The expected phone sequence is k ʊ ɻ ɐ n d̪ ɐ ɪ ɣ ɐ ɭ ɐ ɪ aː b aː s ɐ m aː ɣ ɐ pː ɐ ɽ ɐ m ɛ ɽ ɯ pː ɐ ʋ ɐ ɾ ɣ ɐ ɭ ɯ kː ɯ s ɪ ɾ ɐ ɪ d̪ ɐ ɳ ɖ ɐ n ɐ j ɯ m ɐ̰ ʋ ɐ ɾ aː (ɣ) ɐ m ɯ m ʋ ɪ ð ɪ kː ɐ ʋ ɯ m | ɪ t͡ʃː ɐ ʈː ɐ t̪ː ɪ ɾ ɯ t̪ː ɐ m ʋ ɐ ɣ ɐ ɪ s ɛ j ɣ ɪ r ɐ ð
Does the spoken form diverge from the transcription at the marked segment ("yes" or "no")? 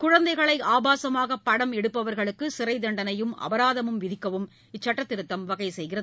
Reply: yes